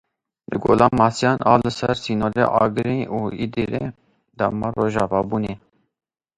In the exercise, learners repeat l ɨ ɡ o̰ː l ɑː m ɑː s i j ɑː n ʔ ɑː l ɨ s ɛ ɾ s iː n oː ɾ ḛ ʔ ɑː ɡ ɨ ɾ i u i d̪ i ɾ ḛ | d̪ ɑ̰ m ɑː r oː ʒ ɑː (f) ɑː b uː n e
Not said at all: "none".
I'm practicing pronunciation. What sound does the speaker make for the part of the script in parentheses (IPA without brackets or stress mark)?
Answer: v